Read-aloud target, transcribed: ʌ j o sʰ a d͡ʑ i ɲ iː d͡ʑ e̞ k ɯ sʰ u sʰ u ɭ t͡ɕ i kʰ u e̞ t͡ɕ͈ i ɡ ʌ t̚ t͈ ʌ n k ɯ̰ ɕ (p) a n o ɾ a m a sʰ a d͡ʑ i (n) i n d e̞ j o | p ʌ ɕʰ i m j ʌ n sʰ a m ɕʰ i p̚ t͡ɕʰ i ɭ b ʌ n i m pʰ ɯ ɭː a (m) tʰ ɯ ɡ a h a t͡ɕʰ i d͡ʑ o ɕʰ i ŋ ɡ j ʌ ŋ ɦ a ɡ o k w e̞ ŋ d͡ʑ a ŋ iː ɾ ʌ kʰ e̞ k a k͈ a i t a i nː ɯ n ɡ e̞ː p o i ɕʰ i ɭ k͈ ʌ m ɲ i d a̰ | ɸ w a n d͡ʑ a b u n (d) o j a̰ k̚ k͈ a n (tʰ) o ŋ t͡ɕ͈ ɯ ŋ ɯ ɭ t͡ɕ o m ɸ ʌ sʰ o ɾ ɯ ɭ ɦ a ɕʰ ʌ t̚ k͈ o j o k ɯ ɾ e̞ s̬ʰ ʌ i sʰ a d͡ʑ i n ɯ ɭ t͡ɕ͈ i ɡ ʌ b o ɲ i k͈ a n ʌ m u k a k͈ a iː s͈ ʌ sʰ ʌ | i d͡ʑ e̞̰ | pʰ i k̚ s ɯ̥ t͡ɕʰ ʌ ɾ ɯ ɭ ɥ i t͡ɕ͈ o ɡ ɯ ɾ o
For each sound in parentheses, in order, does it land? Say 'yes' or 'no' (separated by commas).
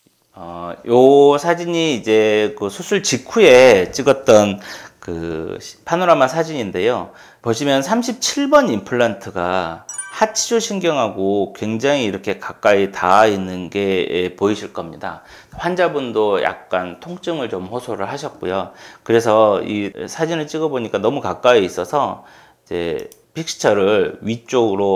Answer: no, no, no, yes, yes